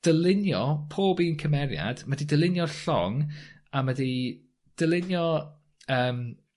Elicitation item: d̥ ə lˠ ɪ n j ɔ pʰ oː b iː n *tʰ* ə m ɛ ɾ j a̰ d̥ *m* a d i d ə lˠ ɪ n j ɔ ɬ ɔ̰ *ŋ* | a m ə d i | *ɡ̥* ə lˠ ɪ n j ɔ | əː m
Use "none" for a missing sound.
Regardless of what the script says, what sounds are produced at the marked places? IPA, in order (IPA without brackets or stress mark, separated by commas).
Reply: kʰ, m, ŋ, d̥